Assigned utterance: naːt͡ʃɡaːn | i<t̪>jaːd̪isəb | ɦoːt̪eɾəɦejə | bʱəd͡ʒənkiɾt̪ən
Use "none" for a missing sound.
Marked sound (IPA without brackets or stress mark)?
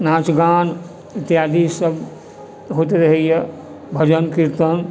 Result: t̪